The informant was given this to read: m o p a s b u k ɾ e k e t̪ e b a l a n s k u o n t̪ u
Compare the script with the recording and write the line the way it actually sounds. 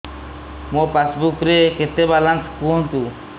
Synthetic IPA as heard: m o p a s b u k ɾ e k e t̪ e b a l a n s k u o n t̪ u